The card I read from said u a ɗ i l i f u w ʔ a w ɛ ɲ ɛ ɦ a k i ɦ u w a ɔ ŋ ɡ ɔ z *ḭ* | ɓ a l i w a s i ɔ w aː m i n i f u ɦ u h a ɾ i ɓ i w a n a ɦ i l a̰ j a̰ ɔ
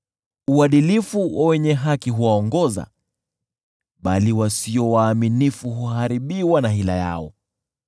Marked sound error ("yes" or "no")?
yes